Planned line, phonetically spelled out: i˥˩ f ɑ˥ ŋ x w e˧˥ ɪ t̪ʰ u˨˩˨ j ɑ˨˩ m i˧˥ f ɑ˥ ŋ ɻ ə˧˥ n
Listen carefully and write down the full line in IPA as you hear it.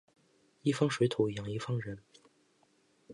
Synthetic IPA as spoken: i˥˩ f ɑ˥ ŋ ʂ w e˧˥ ɪ t̪ʰ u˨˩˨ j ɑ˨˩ ŋ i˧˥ f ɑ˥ ŋ ɻ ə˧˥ n